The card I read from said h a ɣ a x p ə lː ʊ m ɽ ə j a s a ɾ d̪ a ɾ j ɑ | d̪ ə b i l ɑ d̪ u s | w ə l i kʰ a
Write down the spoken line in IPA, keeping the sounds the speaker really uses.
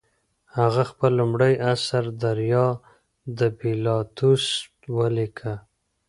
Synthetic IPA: h a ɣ a x p ə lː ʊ m ɽ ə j a s a ɾ d̪ a ɾ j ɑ | d̪ ə b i l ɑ t̪ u s | w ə l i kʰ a

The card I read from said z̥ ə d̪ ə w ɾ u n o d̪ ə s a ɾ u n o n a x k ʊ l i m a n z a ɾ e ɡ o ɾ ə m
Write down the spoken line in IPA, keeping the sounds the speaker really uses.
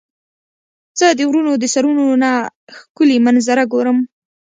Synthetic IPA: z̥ ə d̪ ə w ɾ u n o d̪ ə s a ɾ u n o n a x k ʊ l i m a n z a ɾ a ɡ o ɾ ə m

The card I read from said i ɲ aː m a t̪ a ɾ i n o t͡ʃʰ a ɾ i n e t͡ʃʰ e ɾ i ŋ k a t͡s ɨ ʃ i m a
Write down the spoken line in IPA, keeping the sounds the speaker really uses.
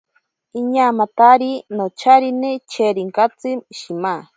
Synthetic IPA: i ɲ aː m a t̪ a ɾ i n o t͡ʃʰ a ɾ i n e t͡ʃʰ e ɾ i ŋ k a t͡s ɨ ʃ i m a

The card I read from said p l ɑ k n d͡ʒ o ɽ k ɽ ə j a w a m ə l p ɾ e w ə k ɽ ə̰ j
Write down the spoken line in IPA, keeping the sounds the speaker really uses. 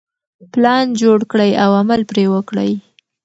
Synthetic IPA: p l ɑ n d͡ʒ o ɽ k ɽ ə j a w a m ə l p ɾ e w ə k ɽ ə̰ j

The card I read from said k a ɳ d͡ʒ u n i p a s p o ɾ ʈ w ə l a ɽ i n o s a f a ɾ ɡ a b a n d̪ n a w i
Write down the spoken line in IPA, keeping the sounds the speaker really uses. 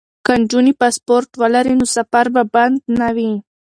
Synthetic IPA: k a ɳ d͡ʒ u n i p a s p o ɾ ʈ w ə l a ɾ i n o s a f a ɾ b a b a n d̪ n a w i

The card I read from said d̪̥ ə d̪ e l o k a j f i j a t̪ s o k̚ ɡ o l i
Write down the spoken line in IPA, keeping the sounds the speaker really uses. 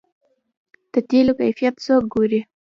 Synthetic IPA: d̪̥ ə t̪ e l o k a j f i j a t̪ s o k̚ ɡ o ɾ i

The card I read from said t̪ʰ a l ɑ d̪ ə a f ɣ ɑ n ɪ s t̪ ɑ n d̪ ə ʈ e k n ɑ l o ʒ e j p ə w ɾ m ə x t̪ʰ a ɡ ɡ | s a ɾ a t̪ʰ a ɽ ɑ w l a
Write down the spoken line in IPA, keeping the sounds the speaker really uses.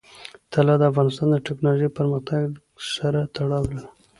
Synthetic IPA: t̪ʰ a l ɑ d̪ ə a f ɣ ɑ n ɪ s t̪ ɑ n d̪ ə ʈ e k n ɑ l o ʒ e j p ə ɾ m ə x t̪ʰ a ɡ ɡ | s a ɾ a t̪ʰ a ɽ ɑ w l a

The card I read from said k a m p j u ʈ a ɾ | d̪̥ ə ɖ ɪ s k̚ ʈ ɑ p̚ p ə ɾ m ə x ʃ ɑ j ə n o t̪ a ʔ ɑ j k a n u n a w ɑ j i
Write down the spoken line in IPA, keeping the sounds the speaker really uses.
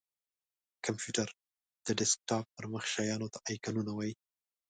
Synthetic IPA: k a m p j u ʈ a ɾ | d̪̥ ə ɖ ɪ s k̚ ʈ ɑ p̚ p ə ɾ m ə x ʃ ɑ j ɑ n o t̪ a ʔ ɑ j k a n u n a w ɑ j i

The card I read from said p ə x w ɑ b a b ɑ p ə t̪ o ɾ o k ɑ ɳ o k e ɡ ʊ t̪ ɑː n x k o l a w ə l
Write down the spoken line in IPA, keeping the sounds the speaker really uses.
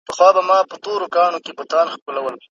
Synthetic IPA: p ə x w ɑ b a m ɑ p ə t̪ o ɾ o k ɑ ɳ o k e b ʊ t̪ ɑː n x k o l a w ə l

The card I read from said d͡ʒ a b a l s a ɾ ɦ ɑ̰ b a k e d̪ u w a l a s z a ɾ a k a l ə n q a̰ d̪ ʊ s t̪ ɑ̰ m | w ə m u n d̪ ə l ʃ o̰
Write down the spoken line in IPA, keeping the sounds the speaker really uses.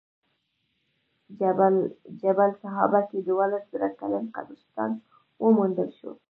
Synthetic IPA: d͡ʒ a b a l s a ɦ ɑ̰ b a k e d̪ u w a l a s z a ɾ a k a l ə n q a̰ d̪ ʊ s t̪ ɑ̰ n | w ə m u n d̪ ə l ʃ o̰

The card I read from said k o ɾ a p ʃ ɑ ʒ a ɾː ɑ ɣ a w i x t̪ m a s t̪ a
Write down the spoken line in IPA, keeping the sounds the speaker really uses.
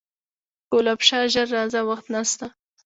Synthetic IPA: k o l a p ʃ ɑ ʒ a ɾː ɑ z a w a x t̪ n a s t̪ a

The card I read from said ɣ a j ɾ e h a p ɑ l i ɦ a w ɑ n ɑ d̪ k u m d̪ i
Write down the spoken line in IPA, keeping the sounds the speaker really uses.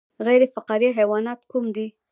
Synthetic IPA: ɣ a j ɾ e f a q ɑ ɾ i ɦ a w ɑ n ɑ t̪ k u m d̪ i

